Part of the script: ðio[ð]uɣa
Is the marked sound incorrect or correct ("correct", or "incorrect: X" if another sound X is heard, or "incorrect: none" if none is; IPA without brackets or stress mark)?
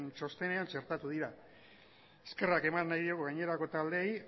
incorrect: ɣ